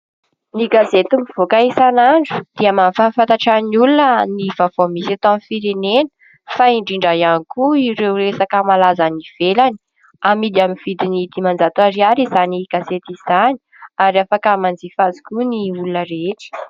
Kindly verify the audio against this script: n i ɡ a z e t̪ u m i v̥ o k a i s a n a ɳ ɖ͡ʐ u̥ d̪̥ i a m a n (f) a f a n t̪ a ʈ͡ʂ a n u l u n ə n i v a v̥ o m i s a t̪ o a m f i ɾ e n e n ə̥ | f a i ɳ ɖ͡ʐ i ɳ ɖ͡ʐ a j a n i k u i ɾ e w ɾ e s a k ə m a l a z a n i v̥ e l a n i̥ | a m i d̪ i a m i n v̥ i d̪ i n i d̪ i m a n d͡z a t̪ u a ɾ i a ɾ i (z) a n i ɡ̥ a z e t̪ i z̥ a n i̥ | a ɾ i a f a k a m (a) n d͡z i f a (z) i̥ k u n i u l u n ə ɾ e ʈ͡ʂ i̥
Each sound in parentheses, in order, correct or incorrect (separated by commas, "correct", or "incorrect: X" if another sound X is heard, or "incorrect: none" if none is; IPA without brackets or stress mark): correct, correct, correct, correct